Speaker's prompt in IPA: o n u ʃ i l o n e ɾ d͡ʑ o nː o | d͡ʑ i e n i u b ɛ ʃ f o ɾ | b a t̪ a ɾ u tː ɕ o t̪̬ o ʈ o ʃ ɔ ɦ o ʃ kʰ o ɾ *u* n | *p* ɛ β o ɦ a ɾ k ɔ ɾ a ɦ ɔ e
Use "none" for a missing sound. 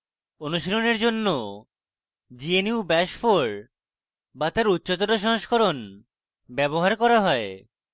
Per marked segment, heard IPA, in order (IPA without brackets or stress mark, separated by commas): o, b